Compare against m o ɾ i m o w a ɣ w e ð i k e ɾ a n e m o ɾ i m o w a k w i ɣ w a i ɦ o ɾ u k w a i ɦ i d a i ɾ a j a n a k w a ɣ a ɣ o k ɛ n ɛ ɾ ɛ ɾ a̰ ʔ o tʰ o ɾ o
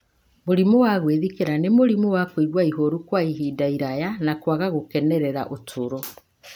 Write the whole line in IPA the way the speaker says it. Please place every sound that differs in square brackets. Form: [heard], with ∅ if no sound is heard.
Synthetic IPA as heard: m o ɾ i m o w a ɣ w e ð i k e ɾ a n e m o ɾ i m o w a k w i ɣ w a i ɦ o ɾ u k w a i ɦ i d a i ɾ a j a n a k w a ɣ a ɣ o k ɛ n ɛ ɾ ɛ ɾ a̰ ʔ o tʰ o ɾ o